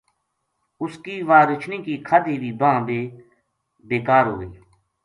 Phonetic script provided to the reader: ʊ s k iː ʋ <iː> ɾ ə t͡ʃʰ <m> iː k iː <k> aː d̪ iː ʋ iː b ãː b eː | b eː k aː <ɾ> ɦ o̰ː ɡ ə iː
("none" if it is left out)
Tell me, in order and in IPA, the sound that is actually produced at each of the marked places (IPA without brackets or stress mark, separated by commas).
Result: aː, n, kʰ, ɾ